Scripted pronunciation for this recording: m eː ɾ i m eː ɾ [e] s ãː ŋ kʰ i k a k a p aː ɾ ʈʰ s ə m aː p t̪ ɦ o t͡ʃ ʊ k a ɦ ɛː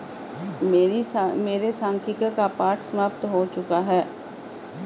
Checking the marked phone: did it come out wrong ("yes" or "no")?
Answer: no